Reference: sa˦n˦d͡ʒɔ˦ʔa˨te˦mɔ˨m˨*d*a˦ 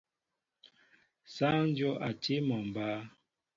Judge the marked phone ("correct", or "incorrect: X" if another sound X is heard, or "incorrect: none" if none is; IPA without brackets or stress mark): incorrect: b